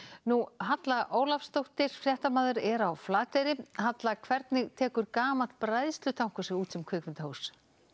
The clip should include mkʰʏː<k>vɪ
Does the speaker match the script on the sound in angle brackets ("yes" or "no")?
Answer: yes